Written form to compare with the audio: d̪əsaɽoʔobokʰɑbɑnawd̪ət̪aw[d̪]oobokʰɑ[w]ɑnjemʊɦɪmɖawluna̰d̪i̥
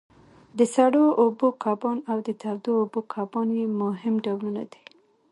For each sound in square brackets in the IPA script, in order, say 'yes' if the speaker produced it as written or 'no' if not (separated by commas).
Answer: yes, no